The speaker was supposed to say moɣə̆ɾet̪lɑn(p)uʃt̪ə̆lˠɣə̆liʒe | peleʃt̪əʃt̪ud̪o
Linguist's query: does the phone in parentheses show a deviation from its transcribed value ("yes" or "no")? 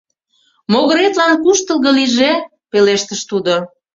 yes